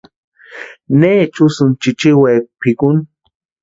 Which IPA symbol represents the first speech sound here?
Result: n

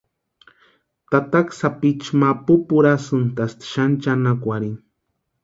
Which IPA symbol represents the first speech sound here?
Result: t̪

